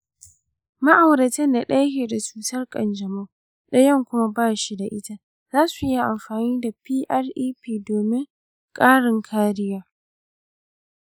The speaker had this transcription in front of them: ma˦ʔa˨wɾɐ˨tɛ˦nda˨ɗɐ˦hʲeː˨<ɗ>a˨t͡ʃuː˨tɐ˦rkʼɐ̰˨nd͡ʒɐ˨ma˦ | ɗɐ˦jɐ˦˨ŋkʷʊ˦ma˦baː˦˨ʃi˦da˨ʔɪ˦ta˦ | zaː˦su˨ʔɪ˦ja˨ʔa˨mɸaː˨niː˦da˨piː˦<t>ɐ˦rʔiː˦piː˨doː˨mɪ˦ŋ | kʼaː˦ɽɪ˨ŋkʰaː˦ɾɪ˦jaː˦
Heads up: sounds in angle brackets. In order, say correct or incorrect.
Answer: incorrect: d, incorrect: ʔ

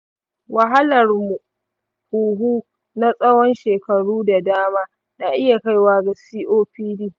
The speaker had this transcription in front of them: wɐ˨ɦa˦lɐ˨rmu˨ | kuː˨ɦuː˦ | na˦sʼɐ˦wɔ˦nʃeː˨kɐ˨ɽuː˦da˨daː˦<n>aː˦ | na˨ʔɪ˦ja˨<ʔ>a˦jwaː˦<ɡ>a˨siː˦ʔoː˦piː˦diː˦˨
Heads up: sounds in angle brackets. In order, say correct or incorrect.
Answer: incorrect: m, incorrect: k, correct

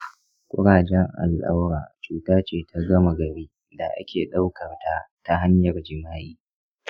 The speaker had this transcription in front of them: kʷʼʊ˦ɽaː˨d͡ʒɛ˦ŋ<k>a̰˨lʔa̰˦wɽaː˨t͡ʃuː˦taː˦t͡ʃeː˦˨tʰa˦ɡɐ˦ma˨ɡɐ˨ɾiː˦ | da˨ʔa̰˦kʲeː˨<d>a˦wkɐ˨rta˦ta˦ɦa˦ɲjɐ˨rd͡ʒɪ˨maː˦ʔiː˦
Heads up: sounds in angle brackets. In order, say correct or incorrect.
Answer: incorrect: ʔ, incorrect: ɗ

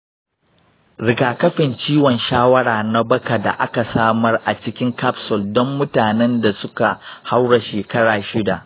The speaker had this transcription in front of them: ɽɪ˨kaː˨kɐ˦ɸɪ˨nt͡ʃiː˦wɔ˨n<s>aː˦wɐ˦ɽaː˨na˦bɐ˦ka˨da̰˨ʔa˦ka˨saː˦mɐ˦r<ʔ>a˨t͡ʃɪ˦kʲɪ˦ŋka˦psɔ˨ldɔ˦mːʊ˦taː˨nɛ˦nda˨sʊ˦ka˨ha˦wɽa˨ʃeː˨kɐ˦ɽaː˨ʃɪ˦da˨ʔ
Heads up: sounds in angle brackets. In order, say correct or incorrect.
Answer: incorrect: ʃ, correct

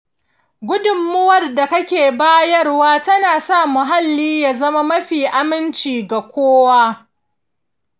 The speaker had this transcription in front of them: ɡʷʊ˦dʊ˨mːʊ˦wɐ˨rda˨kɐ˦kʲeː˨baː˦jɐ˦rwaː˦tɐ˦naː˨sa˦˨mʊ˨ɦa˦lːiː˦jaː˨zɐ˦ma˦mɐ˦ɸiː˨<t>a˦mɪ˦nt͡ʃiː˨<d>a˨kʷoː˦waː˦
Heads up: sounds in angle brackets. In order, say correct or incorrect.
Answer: incorrect: ʔ, incorrect: ɡ

